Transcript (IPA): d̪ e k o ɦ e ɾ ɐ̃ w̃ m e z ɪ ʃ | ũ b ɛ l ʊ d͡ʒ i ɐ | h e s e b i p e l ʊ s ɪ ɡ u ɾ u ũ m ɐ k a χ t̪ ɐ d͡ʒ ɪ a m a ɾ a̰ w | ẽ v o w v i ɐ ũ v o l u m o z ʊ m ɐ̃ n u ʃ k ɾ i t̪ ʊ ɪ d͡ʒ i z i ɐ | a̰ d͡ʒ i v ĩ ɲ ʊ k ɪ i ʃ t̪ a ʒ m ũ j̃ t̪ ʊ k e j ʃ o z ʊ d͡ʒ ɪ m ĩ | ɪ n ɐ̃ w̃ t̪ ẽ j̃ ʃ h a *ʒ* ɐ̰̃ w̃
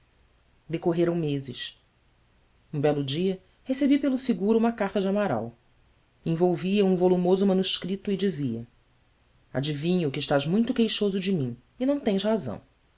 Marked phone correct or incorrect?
incorrect